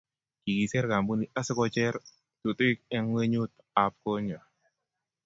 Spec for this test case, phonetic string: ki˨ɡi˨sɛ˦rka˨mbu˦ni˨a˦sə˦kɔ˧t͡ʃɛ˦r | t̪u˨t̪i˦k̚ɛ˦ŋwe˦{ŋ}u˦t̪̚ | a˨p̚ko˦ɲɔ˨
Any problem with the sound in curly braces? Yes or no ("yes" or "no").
yes